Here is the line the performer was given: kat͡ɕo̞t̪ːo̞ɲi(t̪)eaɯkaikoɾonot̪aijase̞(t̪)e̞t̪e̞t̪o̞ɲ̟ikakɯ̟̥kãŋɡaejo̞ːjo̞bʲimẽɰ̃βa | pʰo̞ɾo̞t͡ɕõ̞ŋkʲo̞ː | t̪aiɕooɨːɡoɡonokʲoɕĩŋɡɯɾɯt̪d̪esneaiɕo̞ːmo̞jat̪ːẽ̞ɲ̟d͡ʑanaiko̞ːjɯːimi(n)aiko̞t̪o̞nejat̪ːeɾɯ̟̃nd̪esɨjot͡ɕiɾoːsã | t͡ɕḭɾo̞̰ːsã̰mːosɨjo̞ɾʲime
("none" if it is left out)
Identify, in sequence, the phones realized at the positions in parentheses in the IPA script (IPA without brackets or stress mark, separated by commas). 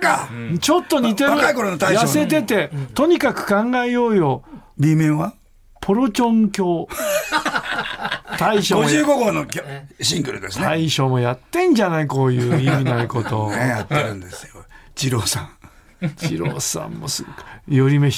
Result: t̪, t̪, n